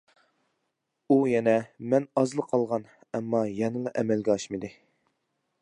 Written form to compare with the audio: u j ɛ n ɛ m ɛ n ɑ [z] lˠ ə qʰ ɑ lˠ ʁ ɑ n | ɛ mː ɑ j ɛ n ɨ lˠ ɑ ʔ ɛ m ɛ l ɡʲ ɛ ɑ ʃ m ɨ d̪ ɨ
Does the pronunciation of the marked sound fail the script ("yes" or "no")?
no